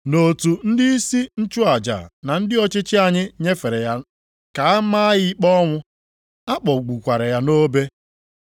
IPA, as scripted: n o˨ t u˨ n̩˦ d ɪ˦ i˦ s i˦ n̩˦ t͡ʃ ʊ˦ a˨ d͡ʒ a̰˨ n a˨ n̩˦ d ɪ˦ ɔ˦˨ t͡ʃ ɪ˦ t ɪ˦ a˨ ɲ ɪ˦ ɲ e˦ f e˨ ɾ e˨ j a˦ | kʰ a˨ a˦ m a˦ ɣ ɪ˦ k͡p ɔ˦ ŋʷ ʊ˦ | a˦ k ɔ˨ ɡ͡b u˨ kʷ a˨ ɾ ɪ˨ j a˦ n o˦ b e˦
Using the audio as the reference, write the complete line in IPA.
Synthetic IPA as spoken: n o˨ t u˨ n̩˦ d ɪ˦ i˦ s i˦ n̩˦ t͡ʃ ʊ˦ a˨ d͡ʒ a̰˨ n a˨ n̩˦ d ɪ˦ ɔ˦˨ t͡ʃ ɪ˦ t͡ʃ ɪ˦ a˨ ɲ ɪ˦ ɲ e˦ f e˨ ɾ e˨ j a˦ | k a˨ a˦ m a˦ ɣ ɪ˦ k͡p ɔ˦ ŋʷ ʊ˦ | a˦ k͡p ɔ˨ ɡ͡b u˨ kʷ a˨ ɾ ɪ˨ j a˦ n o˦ b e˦